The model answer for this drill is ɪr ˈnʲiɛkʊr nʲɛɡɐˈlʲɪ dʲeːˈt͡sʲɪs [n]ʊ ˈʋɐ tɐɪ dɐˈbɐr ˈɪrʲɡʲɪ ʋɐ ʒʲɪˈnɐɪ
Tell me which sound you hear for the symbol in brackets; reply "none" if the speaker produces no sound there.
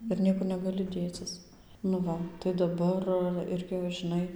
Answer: n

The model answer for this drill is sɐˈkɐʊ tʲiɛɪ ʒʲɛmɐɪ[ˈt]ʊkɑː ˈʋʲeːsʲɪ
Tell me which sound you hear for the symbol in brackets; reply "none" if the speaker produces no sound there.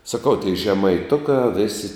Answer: t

